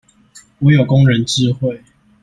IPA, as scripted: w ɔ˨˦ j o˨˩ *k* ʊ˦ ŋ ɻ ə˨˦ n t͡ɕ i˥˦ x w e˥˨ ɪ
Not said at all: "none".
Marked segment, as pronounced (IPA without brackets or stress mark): k